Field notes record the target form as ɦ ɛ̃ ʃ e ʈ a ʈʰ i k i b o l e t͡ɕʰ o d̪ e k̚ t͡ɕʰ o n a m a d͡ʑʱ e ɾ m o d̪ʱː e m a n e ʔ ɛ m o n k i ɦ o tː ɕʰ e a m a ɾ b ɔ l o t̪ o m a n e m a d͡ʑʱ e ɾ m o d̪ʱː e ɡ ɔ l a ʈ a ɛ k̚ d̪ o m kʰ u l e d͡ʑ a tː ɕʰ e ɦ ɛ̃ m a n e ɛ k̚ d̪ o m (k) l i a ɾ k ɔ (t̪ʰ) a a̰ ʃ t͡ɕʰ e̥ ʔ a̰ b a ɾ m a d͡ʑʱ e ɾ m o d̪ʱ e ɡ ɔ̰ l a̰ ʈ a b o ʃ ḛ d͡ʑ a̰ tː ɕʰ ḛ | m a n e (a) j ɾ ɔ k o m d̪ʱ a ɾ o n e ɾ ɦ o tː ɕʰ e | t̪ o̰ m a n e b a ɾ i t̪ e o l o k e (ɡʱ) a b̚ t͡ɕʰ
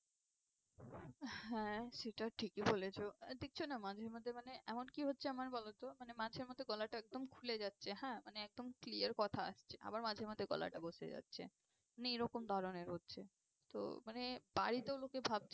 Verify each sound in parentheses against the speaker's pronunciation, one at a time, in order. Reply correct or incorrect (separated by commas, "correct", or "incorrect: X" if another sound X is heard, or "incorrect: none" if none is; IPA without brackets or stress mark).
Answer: correct, correct, incorrect: e, incorrect: bʱ